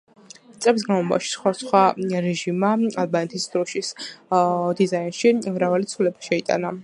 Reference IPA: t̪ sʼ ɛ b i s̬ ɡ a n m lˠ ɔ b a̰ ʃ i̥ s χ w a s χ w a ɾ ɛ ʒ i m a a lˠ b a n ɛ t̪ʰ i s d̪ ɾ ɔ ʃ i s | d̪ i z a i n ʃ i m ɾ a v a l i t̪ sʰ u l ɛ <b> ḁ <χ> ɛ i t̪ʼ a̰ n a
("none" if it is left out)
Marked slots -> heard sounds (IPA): b, ʃ

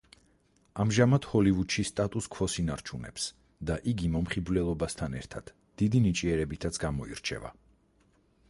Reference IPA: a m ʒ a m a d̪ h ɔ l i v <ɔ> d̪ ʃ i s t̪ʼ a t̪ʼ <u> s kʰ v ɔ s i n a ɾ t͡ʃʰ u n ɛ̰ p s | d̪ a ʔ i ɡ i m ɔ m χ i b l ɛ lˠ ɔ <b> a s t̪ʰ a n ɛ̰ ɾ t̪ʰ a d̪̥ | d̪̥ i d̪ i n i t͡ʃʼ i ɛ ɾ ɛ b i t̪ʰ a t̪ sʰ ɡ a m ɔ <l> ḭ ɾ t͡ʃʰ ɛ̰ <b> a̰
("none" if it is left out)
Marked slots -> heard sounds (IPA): u, u, b, none, v

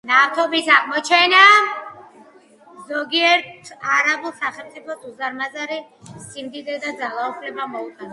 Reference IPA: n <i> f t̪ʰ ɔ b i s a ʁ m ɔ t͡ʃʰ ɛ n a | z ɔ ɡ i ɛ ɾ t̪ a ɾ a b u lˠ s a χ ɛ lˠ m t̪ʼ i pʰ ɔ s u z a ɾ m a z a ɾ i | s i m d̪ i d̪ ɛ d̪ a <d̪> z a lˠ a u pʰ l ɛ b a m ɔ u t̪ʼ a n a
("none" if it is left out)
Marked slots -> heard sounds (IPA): a, d̪

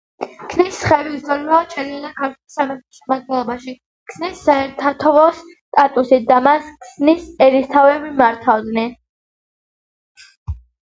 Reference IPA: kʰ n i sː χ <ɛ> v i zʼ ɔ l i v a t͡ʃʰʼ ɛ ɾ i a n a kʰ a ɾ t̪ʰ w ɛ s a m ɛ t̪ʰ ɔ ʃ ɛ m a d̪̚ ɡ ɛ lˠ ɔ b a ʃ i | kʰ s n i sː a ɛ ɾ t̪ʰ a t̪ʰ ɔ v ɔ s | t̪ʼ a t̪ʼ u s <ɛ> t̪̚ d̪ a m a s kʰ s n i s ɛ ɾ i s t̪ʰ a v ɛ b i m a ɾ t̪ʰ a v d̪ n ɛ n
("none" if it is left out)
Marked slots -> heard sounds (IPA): ɛ, i

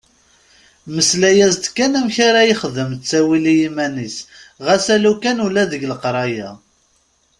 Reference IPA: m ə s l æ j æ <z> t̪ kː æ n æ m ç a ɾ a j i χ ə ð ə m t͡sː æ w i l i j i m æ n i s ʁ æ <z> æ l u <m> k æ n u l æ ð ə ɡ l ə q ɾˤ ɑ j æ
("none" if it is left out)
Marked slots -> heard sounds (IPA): z, s, none

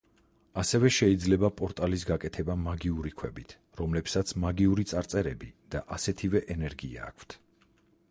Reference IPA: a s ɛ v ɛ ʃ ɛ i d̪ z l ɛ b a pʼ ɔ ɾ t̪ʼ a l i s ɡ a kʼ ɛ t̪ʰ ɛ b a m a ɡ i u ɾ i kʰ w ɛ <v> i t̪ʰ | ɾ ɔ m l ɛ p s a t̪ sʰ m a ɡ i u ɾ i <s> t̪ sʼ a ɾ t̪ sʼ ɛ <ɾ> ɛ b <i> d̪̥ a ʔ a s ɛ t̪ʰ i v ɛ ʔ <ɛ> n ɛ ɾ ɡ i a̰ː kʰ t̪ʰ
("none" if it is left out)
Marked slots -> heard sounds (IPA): b, none, ɾ, i, ɛ

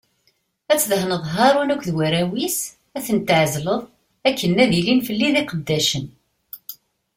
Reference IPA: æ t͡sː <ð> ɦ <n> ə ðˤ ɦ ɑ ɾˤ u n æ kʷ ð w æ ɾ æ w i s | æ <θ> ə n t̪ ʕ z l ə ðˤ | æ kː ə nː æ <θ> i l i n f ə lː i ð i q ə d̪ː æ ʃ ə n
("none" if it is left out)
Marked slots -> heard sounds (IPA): ð, n, θ, ð

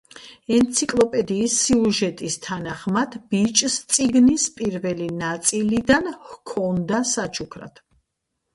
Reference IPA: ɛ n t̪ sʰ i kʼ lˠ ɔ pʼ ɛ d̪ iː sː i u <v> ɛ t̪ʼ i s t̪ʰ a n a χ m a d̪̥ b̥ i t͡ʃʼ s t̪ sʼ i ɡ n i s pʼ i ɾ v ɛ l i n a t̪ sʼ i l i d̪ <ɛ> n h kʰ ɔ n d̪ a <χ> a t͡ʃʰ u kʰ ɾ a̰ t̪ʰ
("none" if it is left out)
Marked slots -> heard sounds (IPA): ʒ, a, s

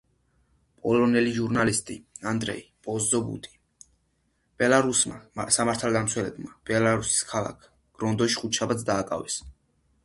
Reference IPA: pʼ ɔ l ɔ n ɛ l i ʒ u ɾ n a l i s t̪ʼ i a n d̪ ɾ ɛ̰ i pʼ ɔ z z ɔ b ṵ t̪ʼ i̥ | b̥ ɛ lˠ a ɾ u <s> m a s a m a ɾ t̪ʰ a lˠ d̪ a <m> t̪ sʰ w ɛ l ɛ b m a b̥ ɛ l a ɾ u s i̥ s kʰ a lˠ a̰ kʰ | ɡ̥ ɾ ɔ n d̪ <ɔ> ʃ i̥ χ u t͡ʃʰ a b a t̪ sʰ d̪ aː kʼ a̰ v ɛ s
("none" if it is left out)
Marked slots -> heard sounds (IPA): s, m, ɔ

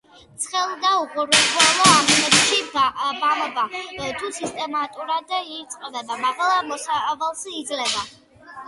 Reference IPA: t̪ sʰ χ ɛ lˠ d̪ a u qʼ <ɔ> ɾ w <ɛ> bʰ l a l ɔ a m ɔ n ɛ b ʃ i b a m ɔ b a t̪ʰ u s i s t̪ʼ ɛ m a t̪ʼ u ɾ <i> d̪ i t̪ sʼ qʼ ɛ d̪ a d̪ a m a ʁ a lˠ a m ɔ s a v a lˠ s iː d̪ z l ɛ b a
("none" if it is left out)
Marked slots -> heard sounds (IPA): u, ɛ, a

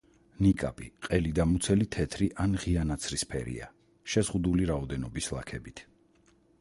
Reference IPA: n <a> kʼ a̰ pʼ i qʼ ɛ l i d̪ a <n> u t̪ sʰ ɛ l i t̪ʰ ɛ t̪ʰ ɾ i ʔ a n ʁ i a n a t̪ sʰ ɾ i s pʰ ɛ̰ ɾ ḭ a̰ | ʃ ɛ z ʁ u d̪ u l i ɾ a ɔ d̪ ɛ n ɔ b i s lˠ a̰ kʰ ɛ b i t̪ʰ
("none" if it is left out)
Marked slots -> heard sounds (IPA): i, m

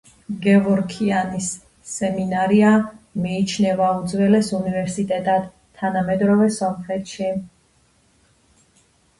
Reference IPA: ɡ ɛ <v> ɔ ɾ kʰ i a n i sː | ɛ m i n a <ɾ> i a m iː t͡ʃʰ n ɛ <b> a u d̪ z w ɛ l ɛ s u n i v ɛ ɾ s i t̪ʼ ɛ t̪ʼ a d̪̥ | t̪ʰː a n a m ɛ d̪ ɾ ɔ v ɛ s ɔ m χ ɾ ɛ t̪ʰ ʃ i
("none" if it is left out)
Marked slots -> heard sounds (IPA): v, ɾ, v

